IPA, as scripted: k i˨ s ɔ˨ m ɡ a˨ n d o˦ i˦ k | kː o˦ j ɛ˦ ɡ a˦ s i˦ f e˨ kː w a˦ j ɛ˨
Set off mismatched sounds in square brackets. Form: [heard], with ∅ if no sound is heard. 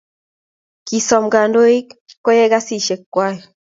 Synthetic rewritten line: k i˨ s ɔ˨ m ɡ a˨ n d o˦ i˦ k | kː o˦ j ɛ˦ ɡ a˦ s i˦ [ʃ] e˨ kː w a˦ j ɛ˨